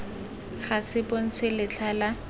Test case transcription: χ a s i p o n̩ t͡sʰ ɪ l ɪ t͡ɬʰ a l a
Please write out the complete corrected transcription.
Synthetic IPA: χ a s ɪ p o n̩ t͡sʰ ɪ l ɪ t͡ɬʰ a l a